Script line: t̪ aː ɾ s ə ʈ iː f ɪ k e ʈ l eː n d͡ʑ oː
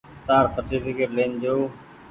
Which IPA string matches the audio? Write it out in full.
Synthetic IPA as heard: t̪ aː ɾ s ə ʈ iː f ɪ k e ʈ l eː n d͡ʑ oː